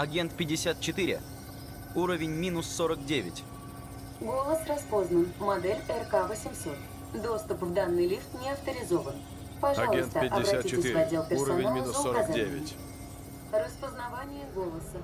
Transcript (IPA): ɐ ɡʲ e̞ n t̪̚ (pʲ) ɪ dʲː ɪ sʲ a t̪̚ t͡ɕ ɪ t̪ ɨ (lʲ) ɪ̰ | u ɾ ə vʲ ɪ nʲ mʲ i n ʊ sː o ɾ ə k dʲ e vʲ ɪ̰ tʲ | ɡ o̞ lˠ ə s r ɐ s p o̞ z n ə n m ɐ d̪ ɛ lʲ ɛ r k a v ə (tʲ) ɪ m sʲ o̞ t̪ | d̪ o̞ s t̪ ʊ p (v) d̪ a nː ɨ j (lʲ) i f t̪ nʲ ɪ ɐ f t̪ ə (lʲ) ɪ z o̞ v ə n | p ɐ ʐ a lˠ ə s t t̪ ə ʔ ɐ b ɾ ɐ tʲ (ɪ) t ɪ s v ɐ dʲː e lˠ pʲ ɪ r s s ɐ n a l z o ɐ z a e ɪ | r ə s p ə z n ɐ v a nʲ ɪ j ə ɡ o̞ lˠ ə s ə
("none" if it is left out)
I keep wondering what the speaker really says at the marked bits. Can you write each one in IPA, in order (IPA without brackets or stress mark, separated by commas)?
pʲ, ɾʲ, sʲ, v, lʲ, ɾʲ, i